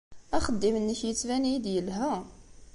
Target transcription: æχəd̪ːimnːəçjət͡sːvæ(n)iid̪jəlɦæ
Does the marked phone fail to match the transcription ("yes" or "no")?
no